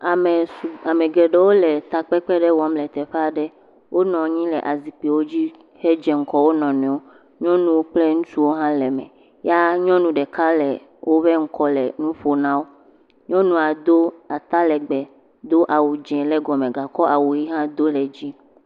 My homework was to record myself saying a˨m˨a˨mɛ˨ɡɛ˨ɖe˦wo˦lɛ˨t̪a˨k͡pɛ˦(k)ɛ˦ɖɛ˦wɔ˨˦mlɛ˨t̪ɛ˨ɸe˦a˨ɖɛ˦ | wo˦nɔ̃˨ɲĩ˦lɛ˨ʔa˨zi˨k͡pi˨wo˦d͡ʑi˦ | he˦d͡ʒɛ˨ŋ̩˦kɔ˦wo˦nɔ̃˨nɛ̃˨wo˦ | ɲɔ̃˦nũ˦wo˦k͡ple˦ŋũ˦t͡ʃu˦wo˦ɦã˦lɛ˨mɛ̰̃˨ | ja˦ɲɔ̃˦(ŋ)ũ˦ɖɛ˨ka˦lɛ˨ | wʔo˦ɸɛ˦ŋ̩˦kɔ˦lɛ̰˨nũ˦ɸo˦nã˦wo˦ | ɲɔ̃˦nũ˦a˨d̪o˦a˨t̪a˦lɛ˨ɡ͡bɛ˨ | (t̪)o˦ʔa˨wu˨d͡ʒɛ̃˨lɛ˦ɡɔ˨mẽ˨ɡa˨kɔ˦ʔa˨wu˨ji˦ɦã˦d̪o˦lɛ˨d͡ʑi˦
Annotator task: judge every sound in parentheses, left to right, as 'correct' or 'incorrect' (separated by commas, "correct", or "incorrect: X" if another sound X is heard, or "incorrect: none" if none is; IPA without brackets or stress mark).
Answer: incorrect: k͡p, incorrect: n, incorrect: d̪